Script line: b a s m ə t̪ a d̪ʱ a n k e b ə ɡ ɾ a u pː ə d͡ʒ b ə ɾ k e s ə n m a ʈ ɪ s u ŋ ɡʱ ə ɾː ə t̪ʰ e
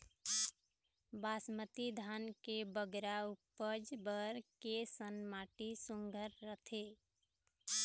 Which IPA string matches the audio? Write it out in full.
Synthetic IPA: b a s m ə t̪ i d̪ʱ a n k e b ə ɡ ɾ a u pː ə d͡ʒ b ə ɾ k e s ə n m a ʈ i s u ŋ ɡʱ ə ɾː ə t̪ʰ e